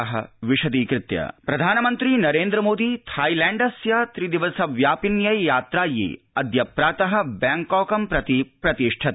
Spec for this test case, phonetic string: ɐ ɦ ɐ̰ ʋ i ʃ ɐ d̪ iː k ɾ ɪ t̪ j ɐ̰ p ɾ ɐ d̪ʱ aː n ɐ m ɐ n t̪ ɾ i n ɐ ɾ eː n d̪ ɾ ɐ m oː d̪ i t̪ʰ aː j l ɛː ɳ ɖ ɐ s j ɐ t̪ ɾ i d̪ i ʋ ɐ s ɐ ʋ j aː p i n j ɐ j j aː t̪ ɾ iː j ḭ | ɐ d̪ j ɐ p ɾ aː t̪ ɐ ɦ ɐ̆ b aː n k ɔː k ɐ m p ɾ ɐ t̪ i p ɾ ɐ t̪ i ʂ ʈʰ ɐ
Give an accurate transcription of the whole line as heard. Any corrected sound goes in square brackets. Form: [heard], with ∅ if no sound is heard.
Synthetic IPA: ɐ ɦ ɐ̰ ʋ i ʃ ɐ d̪ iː k ɾ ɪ t̪ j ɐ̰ p ɾ ɐ d̪ʱ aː n ɐ m ɐ n t̪ ɾ i n ɐ ɾ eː n d̪ ɾ ɐ m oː d̪ i t̪ʰ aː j l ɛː ɳ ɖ ɐ s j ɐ t̪ ɾ i d̪ i ʋ ɐ s ɐ ʋ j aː p i n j ɐ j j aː t̪ ɾ [aː] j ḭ | ɐ d̪ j ɐ p ɾ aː t̪ ɐ ɦ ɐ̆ b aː [ŋ] k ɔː k ɐ m p ɾ ɐ t̪ i p ɾ ɐ t̪ i ʂ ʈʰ ɐ